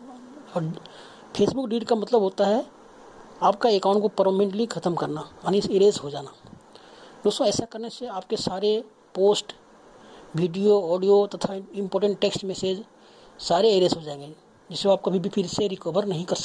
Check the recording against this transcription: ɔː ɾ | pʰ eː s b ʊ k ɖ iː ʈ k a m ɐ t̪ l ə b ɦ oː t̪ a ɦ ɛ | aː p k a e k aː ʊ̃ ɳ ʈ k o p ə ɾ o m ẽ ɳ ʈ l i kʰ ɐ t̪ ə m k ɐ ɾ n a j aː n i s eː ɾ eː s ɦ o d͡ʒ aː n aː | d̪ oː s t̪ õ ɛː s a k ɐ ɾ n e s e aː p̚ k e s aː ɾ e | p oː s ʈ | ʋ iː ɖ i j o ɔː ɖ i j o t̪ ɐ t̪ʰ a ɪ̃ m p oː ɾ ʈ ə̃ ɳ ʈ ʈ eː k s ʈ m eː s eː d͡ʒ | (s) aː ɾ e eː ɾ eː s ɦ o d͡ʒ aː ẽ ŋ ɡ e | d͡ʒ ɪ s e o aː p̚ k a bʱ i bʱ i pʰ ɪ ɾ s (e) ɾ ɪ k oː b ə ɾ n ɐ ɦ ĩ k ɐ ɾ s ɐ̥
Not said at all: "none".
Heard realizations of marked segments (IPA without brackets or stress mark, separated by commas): s, e